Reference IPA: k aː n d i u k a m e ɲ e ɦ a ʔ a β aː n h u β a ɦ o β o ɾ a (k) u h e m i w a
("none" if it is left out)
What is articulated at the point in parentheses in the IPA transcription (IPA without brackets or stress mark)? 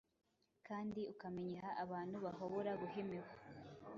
ɡ